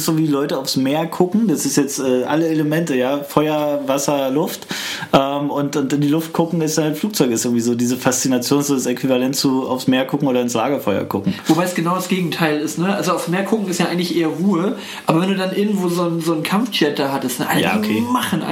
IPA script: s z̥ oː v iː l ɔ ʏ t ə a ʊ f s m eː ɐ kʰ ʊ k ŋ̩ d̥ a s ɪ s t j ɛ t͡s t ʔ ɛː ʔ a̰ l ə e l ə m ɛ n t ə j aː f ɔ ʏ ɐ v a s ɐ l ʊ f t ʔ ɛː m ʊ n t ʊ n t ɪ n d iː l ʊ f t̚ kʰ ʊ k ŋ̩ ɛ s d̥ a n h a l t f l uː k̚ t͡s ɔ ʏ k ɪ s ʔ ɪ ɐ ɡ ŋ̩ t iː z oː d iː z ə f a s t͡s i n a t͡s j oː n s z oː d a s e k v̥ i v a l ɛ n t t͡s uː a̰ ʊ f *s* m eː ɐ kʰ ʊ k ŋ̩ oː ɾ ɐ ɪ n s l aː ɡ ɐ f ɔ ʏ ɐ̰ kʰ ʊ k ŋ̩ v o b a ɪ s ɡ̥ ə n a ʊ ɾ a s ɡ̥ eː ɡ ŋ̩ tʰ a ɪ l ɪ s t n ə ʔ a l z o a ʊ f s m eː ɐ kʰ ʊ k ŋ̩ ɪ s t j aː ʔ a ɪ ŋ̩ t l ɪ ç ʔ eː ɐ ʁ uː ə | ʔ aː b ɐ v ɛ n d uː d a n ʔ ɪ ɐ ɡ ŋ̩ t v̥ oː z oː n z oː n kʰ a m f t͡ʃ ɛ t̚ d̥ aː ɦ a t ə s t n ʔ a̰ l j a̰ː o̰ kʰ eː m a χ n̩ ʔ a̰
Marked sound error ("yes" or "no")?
no